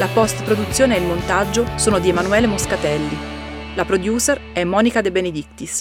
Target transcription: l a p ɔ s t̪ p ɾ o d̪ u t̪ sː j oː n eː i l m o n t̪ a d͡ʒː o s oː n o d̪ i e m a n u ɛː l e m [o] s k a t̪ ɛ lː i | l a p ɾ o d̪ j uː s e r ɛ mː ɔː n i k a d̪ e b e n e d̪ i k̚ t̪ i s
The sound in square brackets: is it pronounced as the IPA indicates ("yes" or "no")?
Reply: yes